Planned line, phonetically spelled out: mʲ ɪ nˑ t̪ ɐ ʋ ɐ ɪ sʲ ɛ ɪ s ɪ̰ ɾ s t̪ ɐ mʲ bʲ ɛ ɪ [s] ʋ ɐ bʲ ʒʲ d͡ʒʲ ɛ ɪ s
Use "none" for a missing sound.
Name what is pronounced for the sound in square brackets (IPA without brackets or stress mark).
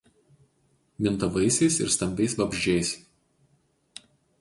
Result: s